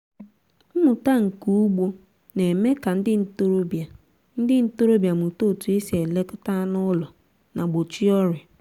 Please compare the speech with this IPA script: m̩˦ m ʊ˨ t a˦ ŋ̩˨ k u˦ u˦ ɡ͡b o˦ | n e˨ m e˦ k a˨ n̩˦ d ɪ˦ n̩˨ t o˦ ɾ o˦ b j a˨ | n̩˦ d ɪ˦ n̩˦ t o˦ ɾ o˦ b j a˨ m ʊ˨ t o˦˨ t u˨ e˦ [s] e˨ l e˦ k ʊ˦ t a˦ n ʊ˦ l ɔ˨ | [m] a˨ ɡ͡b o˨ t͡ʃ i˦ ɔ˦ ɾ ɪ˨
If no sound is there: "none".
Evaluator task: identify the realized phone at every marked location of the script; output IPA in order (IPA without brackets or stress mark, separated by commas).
s, n